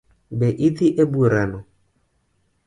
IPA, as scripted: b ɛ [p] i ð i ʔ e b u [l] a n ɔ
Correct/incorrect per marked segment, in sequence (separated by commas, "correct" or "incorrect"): incorrect, incorrect